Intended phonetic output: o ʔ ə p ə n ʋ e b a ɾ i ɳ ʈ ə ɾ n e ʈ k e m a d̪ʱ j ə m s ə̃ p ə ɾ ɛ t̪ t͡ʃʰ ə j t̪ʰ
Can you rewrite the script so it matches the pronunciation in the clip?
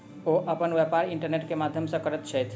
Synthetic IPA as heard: o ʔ ə p ə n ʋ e p a ɾ i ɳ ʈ ə ɾ n e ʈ k e m a d̪ʱ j ə m s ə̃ k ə ɾ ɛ t̪ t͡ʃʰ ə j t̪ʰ